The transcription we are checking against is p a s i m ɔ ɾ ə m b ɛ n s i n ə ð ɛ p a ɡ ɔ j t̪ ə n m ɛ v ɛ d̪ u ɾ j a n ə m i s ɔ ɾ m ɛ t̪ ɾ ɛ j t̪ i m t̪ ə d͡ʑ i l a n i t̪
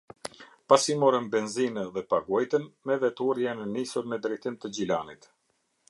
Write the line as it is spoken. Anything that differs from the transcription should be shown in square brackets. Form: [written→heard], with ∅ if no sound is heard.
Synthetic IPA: p a s i m ɔ ɾ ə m b ɛ n [s→z] i n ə ð ɛ p a ɡ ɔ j t̪ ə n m ɛ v ɛ [d̪→t̪] u ɾ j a n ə [m→n] i s [ɔ→u] ɾ m ɛ [t̪→d̪] ɾ ɛ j t̪ i m t̪ ə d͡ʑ i l a n i t̪